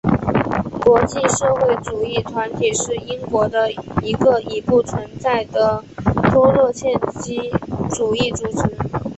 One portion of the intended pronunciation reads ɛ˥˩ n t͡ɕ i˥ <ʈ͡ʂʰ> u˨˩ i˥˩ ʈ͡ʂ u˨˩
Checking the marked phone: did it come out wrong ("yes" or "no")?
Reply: yes